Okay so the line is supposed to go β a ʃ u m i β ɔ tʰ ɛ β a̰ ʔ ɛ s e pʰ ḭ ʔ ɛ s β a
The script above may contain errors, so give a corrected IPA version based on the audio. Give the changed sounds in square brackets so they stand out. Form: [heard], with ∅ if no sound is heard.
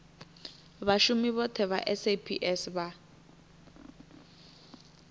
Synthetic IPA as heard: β a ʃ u m i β ɔ tʰ ɛ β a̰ ʔ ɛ s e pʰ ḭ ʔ ɛ s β a